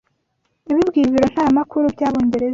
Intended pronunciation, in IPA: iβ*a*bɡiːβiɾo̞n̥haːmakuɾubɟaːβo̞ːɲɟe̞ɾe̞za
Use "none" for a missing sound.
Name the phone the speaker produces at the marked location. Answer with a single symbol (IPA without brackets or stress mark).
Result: i